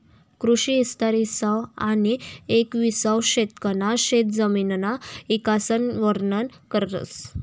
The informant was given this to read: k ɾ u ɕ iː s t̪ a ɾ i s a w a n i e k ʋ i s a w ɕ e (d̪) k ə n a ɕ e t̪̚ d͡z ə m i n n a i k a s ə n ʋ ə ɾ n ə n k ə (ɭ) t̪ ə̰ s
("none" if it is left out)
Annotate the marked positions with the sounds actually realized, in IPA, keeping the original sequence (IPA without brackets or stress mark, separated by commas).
t̪, ɾ